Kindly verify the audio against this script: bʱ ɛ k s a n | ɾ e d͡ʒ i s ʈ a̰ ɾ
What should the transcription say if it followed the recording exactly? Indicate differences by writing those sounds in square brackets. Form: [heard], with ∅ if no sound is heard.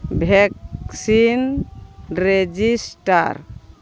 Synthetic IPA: bʱ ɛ k s [i] n | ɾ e d͡ʒ i s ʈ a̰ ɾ